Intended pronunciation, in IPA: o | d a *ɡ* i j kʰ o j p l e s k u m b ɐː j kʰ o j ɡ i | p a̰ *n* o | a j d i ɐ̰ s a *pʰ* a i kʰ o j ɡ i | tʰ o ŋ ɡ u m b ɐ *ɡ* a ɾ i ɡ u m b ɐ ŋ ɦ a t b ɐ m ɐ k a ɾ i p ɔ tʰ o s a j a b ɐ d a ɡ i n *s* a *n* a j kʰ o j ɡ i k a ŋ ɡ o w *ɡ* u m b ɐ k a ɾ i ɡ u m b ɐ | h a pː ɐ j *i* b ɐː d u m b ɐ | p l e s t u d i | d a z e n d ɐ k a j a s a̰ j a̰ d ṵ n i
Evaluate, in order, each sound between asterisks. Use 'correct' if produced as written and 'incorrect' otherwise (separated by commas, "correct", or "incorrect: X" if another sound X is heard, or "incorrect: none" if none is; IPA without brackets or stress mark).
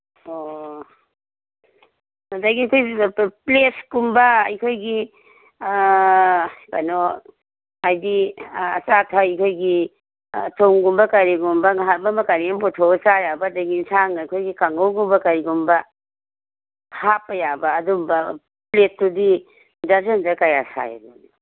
correct, correct, incorrect: tʰ, incorrect: k, correct, incorrect: ŋ, correct, incorrect: a